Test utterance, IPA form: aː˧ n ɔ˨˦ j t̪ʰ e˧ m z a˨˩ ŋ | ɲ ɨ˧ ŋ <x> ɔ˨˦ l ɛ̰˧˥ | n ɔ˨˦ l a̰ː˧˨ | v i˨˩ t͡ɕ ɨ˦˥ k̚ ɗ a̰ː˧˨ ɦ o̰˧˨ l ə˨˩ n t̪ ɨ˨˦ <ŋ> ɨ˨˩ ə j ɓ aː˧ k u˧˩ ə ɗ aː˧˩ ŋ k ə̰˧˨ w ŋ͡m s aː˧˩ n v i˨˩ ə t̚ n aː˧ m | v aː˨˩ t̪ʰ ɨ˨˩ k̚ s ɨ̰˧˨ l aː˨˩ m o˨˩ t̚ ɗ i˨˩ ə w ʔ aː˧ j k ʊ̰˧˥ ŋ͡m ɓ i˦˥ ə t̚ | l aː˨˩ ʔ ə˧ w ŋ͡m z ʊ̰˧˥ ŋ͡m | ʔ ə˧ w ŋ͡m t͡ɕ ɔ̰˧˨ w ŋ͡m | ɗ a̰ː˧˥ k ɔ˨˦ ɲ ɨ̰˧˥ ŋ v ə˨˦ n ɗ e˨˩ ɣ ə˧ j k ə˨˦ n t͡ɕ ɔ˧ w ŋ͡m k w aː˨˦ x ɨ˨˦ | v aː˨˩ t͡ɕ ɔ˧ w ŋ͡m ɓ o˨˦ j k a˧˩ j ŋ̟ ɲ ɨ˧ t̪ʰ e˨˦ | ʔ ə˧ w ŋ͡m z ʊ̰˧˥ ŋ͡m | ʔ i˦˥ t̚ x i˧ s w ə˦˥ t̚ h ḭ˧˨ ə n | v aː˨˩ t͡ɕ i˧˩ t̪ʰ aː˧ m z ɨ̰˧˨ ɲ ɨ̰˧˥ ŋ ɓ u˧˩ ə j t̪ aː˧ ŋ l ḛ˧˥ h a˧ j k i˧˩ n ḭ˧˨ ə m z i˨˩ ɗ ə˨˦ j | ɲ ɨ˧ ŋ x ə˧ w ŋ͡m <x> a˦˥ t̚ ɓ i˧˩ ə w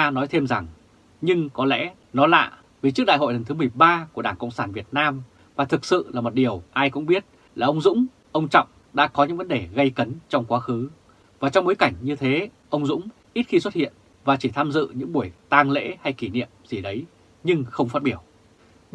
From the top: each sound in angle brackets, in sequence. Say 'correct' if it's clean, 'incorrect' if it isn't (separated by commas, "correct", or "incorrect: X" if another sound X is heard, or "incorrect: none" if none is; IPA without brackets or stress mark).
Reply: incorrect: k, incorrect: m, incorrect: f